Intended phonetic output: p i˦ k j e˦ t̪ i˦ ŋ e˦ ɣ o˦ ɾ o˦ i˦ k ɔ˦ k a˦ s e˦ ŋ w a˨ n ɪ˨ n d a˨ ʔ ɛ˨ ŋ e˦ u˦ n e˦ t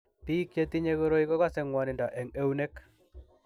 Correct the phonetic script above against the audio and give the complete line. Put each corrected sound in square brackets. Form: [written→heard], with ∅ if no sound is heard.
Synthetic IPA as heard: p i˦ k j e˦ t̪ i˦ [ŋ→ɲ] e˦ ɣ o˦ ɾ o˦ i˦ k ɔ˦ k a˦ s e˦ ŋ w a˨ n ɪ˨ n d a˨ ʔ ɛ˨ ŋ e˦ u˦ n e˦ [t→k]